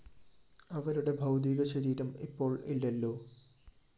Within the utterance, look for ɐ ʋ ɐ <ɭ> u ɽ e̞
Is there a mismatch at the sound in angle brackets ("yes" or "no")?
yes